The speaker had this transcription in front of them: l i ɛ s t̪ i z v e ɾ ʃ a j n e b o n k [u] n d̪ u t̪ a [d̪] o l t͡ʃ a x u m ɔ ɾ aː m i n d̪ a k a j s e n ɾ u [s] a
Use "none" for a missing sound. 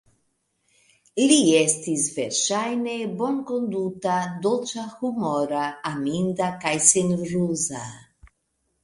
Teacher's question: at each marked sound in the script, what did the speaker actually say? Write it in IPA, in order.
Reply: o, d̪, z

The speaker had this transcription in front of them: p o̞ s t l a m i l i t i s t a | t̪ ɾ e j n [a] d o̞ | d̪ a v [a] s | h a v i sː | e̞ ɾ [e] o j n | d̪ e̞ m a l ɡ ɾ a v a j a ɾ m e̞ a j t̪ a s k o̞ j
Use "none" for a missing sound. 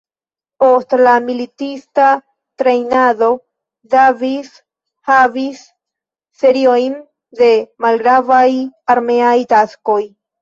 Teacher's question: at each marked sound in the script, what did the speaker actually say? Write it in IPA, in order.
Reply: a, i, i

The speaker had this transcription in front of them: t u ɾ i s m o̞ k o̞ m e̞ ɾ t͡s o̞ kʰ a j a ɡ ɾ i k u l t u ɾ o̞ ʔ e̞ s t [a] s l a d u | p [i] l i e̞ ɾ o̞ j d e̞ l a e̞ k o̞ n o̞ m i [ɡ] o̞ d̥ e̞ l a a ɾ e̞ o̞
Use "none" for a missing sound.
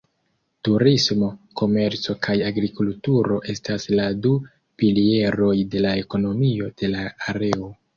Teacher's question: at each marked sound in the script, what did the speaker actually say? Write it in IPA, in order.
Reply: a, i, none

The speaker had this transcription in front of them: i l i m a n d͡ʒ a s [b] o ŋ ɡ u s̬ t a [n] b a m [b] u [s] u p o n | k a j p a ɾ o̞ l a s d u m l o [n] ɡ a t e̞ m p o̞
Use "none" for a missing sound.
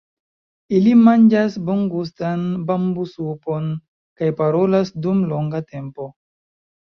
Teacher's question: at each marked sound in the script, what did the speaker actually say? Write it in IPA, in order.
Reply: b, n, b, s, ŋ

